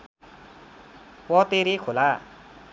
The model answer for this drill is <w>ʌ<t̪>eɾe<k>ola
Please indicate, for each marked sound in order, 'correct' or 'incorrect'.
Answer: correct, correct, incorrect

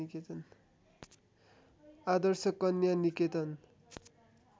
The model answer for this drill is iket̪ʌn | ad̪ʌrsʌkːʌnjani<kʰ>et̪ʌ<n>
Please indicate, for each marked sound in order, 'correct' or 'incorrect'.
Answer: incorrect, correct

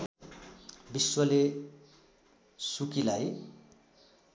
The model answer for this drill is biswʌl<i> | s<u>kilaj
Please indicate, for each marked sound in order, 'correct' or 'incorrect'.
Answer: incorrect, correct

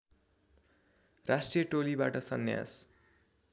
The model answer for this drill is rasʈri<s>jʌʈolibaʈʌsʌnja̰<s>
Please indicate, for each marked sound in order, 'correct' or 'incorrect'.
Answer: incorrect, correct

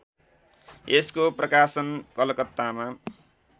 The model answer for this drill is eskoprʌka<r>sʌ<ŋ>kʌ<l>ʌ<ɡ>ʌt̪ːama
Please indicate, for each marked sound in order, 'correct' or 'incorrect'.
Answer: incorrect, incorrect, correct, incorrect

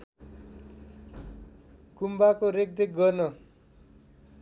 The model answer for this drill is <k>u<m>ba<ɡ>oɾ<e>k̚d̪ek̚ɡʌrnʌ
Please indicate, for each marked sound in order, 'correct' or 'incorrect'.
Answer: correct, correct, incorrect, correct

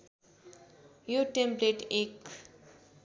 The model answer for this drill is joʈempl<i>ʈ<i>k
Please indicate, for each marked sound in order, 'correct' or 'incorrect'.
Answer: incorrect, incorrect

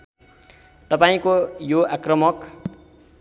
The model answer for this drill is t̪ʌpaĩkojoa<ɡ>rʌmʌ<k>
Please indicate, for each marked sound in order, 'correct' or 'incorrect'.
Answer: incorrect, correct

